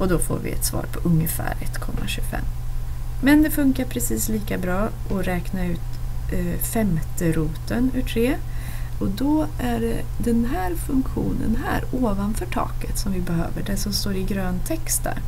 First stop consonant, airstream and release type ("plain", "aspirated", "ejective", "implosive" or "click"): plain